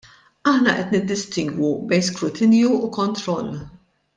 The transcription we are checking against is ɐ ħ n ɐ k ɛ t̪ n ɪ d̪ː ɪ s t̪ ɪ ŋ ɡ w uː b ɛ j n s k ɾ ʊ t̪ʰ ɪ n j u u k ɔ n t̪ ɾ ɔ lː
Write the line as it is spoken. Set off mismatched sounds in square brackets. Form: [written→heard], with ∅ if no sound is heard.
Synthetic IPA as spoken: ɐ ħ n ɐ [k→ʔ] ɛ t̪ n ɪ d̪ː ɪ s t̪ ɪ ŋ ɡ w [uː→u] b ɛ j n s k ɾ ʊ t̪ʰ ɪ n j u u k ɔ n t̪ ɾ ɔ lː